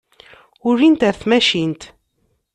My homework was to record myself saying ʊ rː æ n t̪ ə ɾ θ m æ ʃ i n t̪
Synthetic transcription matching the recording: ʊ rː i n t̪ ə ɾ θ m æ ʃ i n t̪